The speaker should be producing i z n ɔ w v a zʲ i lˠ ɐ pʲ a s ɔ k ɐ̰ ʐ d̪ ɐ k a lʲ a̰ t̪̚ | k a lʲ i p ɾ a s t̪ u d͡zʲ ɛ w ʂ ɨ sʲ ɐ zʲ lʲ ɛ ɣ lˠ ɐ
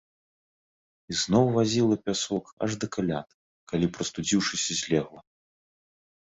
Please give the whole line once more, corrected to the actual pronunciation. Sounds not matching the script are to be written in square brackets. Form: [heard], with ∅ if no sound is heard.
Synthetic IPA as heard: i z n ɔ w v a zʲ i lˠ ɐ pʲ a s ɔ k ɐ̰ ʐ d̪ ɐ k a lʲ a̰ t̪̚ | k a lʲ i p ɾ [ɐ] s t̪ u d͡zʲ [i] w ʂ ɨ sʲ ɐ zʲ lʲ ɛ ɣ lˠ ɐ